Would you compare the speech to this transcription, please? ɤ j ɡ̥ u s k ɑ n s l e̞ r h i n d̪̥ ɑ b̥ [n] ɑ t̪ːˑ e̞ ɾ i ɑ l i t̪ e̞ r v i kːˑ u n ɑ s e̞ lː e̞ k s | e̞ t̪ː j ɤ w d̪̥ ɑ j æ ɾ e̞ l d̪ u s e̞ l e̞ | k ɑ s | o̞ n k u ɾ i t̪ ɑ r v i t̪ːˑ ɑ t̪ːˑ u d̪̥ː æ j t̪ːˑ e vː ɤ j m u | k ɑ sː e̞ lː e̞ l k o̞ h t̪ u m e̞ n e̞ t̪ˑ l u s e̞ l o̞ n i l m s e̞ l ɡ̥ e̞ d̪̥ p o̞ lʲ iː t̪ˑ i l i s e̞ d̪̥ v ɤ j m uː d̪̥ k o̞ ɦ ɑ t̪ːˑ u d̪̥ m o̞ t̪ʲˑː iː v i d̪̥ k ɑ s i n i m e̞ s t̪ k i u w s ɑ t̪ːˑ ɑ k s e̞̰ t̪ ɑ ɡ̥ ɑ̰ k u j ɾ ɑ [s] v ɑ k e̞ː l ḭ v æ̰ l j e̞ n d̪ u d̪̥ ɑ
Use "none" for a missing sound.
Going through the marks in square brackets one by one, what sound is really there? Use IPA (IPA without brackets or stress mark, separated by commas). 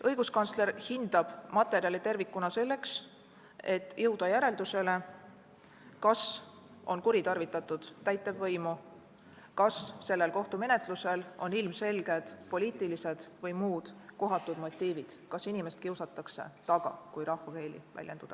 m, h